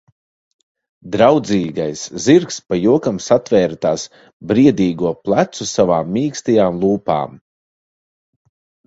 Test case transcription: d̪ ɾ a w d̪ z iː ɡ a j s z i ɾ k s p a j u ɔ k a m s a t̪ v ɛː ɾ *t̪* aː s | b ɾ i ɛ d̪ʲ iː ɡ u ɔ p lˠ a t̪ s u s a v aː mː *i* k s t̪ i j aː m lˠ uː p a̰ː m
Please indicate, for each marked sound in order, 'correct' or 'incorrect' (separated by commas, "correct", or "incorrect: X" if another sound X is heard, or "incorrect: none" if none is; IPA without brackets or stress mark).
correct, incorrect: iː